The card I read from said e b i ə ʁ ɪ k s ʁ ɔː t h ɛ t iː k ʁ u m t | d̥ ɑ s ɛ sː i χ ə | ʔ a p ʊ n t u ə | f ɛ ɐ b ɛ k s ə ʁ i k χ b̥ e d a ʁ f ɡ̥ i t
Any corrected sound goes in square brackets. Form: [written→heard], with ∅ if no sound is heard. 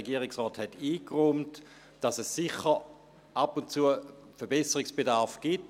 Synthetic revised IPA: e [b→ɡ] i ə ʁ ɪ k s ʁ ɔː t h ɛ t iː k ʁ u m t | d̥ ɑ s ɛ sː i χ ə | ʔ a p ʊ n [t→t͡s] u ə | f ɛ ɐ b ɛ [k→∅] s ə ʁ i k [χ→s] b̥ e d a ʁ f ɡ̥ i t